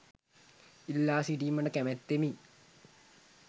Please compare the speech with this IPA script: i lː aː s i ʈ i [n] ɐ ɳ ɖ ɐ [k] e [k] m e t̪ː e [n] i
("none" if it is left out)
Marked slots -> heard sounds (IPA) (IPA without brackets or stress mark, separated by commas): m, k, none, m